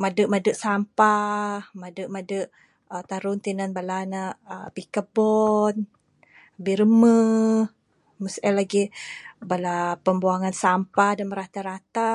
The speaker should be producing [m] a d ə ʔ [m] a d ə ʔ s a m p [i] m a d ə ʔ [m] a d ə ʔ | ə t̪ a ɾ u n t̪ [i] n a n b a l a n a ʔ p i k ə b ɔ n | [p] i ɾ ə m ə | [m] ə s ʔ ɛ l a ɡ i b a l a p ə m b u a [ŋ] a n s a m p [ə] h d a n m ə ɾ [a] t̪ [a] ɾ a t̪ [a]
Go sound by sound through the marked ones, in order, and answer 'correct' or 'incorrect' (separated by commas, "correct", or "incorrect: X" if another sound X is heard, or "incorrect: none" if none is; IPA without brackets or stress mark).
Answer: correct, correct, incorrect: a, correct, correct, incorrect: b, correct, correct, incorrect: a, correct, correct, correct